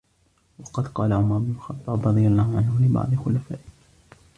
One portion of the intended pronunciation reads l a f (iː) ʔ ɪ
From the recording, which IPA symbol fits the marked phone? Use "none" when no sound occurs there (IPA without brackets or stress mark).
aː